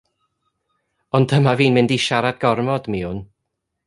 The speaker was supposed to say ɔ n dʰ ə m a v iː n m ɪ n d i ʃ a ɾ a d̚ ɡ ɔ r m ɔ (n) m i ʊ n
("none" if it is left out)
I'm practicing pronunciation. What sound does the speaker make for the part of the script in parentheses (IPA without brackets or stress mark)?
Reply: d